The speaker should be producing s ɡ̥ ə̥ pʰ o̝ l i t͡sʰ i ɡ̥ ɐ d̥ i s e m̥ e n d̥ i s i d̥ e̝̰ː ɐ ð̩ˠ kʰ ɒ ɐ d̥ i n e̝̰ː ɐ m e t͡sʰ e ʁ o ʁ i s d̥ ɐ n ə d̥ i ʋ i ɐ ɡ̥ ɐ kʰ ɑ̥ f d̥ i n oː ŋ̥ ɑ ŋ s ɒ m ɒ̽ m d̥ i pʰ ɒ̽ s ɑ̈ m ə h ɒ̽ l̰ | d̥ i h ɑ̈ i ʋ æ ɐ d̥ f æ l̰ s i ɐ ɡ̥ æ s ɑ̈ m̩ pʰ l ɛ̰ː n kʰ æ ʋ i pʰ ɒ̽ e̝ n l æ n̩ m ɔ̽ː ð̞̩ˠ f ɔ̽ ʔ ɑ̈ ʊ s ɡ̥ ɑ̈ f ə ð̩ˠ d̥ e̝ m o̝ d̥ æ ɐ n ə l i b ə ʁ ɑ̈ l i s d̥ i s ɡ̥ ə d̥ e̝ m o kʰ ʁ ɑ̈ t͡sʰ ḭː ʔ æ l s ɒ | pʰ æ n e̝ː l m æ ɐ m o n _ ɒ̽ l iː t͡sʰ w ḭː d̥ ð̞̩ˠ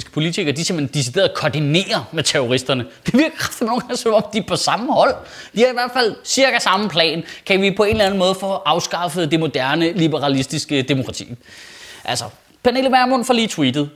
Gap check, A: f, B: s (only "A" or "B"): A